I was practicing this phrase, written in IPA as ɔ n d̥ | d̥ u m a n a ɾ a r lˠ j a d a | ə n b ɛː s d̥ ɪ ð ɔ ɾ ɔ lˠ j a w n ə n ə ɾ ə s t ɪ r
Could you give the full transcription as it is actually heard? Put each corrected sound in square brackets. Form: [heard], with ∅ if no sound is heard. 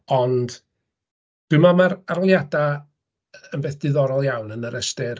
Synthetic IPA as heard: ɔ n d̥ | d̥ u m a [m] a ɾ a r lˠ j a d a | ə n b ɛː [θ] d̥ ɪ ð ɔ ɾ ɔ lˠ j a w n ə n ə ɾ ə s t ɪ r

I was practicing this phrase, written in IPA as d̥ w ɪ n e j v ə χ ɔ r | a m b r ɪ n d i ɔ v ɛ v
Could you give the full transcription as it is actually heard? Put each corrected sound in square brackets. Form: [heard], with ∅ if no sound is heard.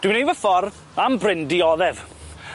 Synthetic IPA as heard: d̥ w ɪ n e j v ə [f] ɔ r | a m b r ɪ n d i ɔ [ð] ɛ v

